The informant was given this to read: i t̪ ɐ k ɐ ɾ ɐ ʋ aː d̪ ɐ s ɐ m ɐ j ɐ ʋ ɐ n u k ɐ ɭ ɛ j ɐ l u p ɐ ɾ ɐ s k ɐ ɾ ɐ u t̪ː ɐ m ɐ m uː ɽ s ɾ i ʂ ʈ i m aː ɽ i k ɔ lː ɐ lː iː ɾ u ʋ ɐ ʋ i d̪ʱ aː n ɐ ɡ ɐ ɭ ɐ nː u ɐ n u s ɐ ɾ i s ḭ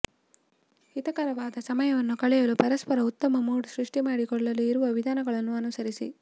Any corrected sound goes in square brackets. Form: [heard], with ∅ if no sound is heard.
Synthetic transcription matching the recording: i t̪ ɐ k ɐ ɾ ɐ ʋ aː d̪ ɐ s ɐ m ɐ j ɐ ʋ ɐ [nː] u k ɐ ɭ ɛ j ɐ l u p ɐ ɾ ɐ s [p] ɐ ɾ ɐ u t̪ː ɐ m ɐ m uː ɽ s ɾ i ʂ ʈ i m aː ɽ i k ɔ [ɭː] ɐ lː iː ɾ u ʋ ɐ ʋ i d̪ʱ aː n ɐ ɡ ɐ ɭ ɐ nː u ɐ n u s ɐ ɾ i s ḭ